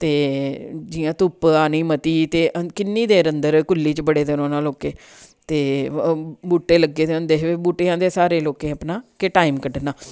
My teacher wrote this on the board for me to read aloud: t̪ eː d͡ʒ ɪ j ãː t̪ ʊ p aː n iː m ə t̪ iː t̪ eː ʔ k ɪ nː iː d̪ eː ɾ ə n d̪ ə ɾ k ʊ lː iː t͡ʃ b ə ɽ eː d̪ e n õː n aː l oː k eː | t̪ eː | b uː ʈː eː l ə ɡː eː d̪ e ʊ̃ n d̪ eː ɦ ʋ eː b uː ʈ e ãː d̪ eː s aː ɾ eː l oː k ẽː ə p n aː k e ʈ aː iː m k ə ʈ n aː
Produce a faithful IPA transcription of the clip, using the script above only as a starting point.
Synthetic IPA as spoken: t̪ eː d͡ʒ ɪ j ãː t̪ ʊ p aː n iː m ə t̪ iː t̪ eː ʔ k ɪ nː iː d̪ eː ɾ ə n d̪ ə ɾ k ʊ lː iː t͡ʃ b ə ɽ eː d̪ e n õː n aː l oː k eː | t̪ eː | b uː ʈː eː l ə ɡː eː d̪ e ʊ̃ n d̪ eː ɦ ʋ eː b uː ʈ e ãː d̪ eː s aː ɾ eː l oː k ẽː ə p n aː k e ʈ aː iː m k ə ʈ n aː